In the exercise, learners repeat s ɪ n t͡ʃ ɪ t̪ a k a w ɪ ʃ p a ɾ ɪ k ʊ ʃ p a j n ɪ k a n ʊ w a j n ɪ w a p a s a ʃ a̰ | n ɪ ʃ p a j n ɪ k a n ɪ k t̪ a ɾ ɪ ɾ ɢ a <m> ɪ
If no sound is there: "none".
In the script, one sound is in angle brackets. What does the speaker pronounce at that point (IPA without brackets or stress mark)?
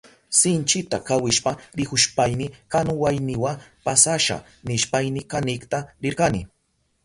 n